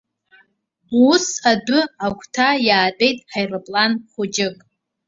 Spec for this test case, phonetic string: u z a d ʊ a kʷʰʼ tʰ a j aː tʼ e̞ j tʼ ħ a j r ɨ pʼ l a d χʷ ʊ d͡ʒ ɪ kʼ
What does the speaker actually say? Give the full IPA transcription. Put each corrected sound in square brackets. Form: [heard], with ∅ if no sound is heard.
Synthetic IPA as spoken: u [s] a d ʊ a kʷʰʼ tʰ a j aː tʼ e̞ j tʼ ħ a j r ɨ pʼ l a [n] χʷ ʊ d͡ʒ ɪ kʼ